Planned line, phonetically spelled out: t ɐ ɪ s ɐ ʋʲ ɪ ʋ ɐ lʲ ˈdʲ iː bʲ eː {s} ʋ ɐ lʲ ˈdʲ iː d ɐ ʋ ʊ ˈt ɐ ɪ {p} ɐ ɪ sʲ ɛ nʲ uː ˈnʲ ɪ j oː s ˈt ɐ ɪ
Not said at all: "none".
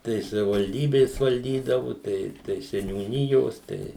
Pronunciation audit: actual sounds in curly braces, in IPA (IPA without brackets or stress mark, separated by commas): s, t